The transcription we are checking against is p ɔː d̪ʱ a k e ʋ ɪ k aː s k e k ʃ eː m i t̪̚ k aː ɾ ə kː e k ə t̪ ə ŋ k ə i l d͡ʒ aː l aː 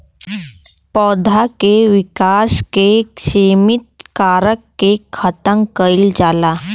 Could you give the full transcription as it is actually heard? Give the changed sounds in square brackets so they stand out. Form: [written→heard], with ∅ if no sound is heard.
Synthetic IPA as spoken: p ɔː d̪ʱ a k e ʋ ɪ k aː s k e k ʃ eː m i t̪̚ k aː ɾ ə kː e [k→kʰ] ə t̪ ə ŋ k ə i l d͡ʒ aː l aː